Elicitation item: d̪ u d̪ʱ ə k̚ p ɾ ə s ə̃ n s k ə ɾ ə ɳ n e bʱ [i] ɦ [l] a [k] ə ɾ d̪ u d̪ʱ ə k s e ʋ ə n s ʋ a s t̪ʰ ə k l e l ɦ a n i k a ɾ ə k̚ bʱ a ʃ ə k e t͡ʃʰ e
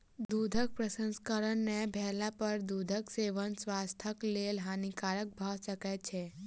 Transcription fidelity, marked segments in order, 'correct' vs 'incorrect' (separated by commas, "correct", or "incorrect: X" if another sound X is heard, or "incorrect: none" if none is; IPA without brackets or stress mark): incorrect: ɛ, correct, incorrect: p